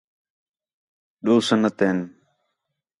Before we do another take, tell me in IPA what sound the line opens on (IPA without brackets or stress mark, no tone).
ɗ